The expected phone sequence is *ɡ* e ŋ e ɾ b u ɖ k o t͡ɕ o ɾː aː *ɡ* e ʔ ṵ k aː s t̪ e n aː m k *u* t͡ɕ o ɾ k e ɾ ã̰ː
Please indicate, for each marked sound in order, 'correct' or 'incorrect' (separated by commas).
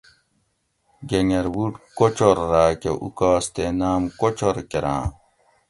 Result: correct, incorrect, incorrect